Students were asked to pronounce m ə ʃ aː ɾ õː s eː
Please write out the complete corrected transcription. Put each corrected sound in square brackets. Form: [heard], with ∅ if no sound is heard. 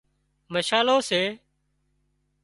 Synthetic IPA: m ə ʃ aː [l] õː s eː